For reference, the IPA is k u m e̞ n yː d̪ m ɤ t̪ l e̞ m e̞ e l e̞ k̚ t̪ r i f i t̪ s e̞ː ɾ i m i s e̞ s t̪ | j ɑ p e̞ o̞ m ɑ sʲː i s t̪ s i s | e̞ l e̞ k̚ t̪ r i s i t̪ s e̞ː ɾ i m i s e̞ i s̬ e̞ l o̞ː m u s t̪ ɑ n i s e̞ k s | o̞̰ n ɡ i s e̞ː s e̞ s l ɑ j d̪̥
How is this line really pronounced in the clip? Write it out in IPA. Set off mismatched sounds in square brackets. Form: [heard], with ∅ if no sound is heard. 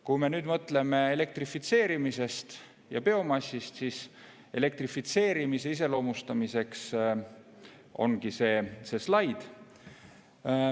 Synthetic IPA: k u m e̞ n yː d̪ m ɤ t̪ l e̞ m e̞ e l e̞ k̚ t̪ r i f i t̪ s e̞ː ɾ i m i s e̞ s t̪ | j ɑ p e̞ o̞ m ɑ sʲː i s t̪ s i s | e̞ l e̞ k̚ t̪ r i [f] i t̪ s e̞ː ɾ i m i s e̞ i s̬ e̞ l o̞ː m u s t̪ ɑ [m] i s e̞ k s | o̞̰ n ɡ i s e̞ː s e̞ s l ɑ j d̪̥